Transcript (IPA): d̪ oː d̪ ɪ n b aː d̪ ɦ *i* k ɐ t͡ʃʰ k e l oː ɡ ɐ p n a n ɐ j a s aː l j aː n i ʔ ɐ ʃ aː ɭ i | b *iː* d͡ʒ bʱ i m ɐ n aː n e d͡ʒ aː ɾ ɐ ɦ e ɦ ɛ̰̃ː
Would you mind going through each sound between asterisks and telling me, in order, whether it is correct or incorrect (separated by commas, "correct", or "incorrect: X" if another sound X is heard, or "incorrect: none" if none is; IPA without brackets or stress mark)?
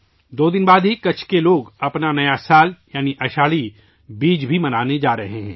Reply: correct, correct